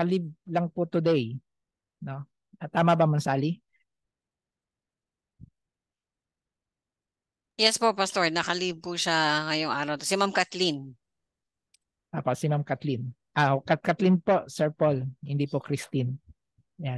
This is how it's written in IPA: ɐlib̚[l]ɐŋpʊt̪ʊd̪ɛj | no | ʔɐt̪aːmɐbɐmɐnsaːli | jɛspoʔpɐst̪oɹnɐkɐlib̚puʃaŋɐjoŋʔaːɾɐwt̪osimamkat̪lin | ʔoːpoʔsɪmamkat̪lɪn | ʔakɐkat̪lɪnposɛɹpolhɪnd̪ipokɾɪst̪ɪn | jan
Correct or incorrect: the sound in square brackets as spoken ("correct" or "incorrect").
correct